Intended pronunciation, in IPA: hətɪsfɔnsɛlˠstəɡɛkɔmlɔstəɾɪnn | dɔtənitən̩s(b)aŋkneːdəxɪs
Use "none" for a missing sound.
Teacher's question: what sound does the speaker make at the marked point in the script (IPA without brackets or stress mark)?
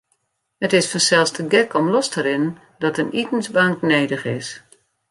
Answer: b